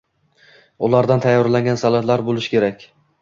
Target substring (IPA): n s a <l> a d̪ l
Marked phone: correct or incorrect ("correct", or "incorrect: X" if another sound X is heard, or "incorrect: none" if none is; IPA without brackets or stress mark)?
correct